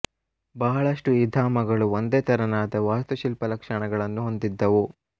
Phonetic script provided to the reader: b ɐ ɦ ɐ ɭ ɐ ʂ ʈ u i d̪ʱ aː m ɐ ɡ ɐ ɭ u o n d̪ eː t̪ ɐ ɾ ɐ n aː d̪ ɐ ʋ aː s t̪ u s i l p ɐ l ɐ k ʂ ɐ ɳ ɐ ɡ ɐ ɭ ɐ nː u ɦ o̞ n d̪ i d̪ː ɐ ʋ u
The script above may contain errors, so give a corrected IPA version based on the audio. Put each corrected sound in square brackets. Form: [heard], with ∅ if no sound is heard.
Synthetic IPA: b ɐ ɦ ɐ ɭ ɐ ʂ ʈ u i d̪ʱ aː m ɐ ɡ ɐ ɭ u o n d̪ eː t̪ ɐ ɾ ɐ n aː d̪ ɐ ʋ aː s t̪ u [ʃ] i l p ɐ l ɐ k ʂ ɐ ɳ ɐ ɡ ɐ ɭ ɐ nː u ɦ o̞ n d̪ i d̪ː ɐ ʋ u